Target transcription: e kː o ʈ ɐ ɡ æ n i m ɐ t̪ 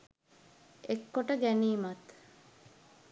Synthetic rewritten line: e kː o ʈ ə ɡ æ n iː m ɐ t̪